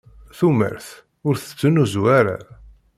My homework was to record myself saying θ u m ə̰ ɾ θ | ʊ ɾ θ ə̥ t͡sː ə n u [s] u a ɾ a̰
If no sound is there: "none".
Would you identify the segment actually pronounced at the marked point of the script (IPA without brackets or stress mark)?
z